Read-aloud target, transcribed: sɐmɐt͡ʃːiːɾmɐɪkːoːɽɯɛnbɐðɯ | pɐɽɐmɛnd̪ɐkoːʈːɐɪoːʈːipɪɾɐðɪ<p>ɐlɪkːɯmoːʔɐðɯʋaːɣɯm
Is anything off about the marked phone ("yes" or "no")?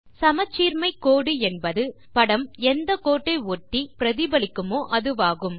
yes